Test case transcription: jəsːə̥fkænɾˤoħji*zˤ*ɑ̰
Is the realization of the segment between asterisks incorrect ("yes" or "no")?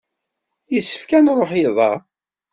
yes